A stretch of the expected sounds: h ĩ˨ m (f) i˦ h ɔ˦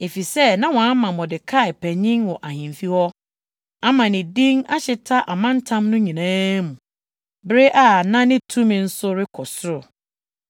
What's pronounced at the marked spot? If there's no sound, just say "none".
f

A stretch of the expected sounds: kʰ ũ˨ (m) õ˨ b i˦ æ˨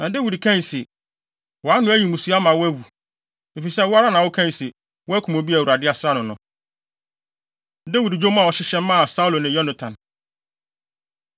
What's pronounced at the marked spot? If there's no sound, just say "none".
m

